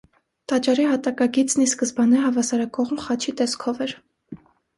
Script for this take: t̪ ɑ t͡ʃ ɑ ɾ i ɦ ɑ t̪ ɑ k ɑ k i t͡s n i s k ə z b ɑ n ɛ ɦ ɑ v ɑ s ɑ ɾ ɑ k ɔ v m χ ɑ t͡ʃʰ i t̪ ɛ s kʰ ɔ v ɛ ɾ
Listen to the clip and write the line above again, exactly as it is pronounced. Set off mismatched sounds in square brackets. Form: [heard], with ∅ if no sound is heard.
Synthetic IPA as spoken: t̪ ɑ t͡ʃ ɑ ɾ i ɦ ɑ t̪ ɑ k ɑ [ɡ] i t͡s n i s k ə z b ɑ n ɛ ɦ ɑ v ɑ s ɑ ɾ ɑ k ɔ [ʁ] m χ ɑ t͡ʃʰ i t̪ ɛ s kʰ ɔ v ɛ ɾ